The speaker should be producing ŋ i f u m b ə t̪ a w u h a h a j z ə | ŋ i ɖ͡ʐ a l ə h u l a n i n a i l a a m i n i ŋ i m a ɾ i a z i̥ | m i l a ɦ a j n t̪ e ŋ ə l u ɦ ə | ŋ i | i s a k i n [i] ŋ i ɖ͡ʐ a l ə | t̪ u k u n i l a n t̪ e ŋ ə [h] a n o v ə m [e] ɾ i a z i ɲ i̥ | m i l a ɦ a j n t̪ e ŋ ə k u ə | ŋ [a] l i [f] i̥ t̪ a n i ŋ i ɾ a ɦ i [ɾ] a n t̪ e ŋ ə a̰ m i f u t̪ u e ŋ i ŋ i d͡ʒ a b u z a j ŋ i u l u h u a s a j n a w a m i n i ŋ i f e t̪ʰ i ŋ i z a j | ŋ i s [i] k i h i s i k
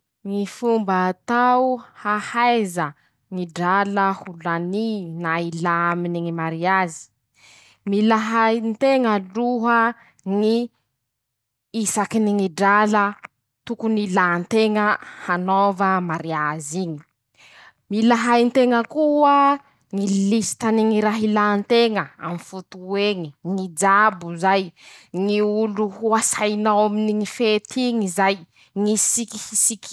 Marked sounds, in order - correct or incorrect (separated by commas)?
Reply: correct, correct, incorrect, incorrect, incorrect, incorrect, correct